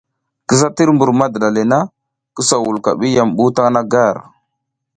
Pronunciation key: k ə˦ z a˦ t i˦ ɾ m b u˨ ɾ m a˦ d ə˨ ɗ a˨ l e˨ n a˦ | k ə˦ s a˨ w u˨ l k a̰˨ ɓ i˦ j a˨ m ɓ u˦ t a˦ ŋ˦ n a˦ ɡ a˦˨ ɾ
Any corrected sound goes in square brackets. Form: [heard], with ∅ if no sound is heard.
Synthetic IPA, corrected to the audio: k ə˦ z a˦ t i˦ ɾ m b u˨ ɾ m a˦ d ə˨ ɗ a˨ l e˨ n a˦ | k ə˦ s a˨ w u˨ l k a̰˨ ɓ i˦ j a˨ m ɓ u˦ t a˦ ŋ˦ n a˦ ɡ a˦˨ ɾ